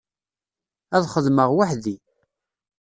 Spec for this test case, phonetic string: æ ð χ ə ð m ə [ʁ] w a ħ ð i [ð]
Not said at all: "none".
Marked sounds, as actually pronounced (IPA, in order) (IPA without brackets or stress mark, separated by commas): ʁ, none